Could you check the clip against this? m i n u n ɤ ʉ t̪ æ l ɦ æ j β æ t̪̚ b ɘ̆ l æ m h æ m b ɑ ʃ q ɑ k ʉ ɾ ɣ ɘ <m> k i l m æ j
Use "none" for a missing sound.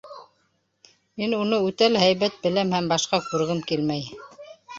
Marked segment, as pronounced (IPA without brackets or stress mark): m